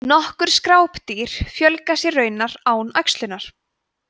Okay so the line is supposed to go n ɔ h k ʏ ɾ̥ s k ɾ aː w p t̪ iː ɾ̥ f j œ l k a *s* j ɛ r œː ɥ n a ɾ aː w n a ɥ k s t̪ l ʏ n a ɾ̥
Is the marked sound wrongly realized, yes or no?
no